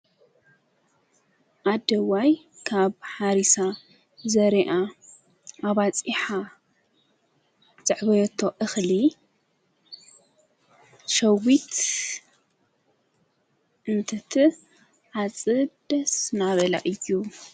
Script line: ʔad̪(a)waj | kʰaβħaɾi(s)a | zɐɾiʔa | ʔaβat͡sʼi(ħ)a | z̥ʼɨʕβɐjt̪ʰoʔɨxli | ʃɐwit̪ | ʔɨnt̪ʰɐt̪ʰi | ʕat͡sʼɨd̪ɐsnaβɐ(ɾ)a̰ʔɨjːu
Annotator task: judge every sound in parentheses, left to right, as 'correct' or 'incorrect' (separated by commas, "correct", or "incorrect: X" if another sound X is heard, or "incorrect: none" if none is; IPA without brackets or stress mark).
incorrect: ɐ, correct, correct, incorrect: l